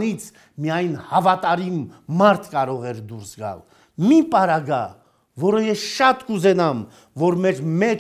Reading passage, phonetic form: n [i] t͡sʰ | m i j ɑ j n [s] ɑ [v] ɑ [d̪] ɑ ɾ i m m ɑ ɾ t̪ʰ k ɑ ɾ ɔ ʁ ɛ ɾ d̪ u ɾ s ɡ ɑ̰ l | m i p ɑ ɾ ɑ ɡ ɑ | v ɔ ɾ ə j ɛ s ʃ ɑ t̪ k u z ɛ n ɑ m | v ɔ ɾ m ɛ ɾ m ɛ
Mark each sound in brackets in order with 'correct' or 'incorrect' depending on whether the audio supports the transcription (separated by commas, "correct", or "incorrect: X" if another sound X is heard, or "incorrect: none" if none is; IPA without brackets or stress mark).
correct, incorrect: h, correct, incorrect: t̪